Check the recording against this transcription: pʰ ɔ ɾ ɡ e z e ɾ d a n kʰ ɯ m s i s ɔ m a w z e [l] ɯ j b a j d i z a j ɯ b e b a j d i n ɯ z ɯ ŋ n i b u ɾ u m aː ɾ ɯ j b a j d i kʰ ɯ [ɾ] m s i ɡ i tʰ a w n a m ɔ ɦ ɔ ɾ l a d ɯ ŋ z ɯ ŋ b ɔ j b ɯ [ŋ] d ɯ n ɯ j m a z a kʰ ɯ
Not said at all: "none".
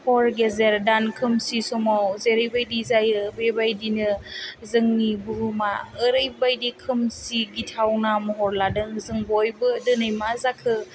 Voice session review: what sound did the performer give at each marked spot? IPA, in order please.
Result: ɾ, none, none

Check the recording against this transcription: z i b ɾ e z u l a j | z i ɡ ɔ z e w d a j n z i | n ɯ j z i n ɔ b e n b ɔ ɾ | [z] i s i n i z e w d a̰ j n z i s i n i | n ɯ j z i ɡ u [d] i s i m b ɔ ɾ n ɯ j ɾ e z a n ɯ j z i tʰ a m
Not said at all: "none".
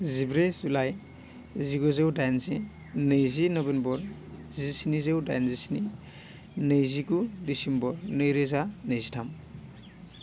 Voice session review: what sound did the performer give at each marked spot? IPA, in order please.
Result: z, d

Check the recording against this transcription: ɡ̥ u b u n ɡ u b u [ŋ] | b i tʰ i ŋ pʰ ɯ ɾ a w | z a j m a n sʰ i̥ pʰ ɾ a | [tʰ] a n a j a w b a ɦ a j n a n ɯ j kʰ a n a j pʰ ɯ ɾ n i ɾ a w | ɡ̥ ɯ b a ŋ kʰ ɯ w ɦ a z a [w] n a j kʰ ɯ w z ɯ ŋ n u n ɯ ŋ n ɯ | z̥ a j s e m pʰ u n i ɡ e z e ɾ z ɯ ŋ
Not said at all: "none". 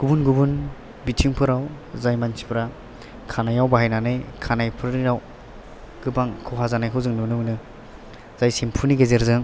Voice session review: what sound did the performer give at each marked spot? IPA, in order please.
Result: n, kʰ, none

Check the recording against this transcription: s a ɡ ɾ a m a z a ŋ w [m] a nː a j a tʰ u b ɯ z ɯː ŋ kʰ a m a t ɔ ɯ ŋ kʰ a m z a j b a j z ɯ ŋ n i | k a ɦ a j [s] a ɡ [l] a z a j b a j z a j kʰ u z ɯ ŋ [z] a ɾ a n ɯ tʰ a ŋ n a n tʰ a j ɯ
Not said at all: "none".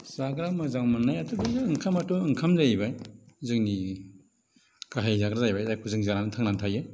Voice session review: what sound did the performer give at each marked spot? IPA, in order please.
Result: m, z, ɾ, z

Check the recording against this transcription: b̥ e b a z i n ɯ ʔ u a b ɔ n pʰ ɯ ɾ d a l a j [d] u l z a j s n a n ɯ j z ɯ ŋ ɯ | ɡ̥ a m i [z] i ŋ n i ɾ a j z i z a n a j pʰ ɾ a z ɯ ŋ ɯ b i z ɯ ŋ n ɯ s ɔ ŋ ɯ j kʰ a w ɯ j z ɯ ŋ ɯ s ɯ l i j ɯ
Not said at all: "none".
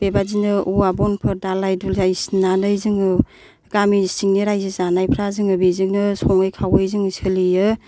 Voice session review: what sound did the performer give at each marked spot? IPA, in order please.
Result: d, s

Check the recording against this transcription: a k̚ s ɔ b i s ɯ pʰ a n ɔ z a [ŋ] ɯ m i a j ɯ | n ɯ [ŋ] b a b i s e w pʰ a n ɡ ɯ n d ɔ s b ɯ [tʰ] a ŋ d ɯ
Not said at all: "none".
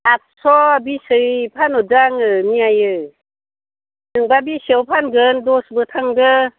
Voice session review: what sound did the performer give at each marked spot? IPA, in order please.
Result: ŋ, ŋ, tʰ

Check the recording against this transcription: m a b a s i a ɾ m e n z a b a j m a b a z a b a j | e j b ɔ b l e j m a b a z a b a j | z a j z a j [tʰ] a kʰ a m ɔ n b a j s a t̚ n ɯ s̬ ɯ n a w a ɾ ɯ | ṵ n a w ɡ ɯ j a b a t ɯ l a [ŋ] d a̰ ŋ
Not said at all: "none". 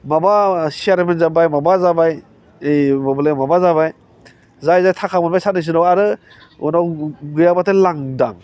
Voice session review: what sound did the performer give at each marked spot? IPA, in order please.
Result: tʰ, ŋ

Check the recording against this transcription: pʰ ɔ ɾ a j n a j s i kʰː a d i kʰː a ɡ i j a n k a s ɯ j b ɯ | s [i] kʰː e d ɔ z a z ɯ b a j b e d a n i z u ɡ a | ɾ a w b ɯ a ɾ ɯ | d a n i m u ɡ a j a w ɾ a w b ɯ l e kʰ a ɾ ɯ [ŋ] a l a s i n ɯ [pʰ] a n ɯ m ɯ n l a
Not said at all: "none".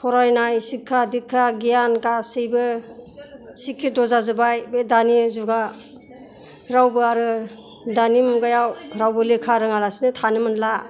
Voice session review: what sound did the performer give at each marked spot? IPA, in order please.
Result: i, ŋ, tʰ

